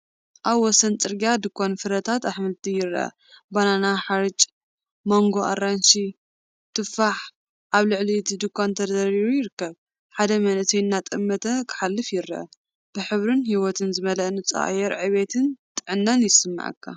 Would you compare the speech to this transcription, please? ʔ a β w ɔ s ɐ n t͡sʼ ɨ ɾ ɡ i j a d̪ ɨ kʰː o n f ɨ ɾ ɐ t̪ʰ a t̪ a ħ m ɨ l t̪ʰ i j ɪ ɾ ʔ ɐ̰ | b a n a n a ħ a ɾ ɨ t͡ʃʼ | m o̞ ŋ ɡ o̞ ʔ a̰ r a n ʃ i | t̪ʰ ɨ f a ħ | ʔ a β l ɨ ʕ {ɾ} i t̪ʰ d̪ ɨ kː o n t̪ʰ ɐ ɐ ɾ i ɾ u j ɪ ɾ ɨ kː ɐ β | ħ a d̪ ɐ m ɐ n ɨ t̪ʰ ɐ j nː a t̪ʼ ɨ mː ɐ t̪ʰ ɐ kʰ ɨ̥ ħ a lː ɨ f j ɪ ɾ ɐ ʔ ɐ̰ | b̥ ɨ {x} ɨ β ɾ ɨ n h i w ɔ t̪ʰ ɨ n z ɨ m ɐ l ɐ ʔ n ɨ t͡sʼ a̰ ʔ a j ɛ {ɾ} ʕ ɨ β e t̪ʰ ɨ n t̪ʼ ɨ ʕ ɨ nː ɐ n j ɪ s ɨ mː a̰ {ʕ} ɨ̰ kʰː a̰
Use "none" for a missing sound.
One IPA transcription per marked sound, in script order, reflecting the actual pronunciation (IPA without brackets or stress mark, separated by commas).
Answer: l, ħ, ɾ, ʕ